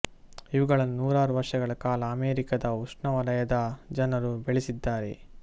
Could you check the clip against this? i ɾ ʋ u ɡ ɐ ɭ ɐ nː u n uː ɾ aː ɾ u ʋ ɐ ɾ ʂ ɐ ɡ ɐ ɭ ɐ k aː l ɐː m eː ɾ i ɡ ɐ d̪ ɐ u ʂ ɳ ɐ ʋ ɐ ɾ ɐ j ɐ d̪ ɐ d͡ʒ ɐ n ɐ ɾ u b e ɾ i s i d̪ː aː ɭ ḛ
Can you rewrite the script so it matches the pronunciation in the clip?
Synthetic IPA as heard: i ʋ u ɡ ɐ ɭ ɐ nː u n uː ɾ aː ɾ u ʋ ɐ ɾ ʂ ɐ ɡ ɐ ɭ ɐ k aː l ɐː m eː ɾ i k ɐ d̪ ɐ u ʂ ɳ ɐ ʋ ɐ ɾ ɐ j ɐ d̪ ɐ d͡ʒ ɐ n ɐ ɾ u b e ɭ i s i d̪ː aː ɾ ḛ